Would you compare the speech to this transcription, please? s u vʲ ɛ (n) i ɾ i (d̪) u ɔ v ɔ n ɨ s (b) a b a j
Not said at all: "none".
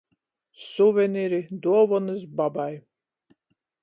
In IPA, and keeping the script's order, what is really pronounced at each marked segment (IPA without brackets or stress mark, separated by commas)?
n, d̪, b